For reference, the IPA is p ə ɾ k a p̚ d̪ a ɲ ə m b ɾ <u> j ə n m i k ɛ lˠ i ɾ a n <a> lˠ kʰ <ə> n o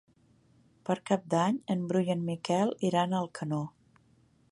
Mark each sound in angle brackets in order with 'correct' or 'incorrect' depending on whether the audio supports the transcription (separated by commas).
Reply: correct, incorrect, correct